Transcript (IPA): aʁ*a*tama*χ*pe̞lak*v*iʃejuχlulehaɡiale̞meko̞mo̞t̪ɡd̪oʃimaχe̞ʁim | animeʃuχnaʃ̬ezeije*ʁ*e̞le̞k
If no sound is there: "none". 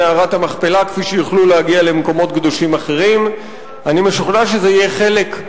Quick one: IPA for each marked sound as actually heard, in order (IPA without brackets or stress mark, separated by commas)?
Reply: a, χ, f, χ